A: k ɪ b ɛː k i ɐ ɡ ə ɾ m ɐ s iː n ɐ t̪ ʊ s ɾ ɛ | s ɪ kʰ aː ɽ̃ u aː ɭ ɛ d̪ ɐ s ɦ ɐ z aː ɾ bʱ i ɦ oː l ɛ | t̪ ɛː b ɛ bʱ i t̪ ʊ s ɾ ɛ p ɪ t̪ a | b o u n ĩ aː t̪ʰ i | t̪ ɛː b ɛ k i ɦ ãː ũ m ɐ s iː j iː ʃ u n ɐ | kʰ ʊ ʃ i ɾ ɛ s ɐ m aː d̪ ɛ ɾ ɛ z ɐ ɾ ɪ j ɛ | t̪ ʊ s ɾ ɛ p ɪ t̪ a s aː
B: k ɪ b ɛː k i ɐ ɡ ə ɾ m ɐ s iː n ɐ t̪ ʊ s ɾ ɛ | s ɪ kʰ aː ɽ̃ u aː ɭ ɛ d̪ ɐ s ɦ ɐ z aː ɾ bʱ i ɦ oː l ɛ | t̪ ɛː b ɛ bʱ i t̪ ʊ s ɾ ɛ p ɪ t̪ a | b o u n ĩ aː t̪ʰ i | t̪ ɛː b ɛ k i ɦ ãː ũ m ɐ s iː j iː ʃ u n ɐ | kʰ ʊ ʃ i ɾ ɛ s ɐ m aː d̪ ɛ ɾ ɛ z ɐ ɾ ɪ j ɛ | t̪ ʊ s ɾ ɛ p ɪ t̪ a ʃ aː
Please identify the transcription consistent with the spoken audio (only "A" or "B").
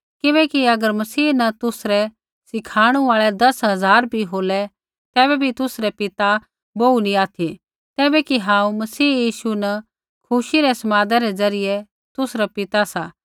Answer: A